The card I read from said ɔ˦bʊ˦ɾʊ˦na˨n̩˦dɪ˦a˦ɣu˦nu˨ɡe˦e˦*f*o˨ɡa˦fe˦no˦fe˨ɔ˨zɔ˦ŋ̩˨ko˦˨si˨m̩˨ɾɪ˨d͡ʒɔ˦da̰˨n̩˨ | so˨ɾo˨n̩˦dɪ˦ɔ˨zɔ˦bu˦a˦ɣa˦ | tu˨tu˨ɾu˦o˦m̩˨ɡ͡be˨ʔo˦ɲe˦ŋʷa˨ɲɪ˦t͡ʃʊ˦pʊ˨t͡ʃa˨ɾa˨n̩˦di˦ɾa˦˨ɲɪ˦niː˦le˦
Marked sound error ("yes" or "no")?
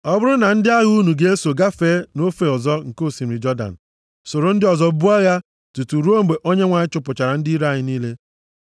yes